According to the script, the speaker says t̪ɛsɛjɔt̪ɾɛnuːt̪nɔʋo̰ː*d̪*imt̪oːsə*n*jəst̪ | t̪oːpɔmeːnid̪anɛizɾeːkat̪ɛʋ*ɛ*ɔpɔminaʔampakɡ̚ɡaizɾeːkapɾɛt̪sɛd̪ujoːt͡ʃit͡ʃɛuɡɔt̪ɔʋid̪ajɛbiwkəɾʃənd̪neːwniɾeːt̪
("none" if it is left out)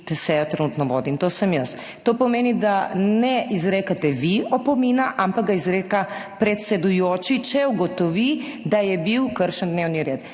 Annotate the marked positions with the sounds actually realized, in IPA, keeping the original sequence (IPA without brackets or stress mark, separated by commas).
d̪, m, i